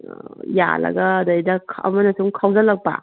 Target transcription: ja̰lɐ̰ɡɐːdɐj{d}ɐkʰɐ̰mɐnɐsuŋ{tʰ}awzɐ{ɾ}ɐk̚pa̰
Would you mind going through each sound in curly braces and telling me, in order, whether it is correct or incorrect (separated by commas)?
correct, incorrect, incorrect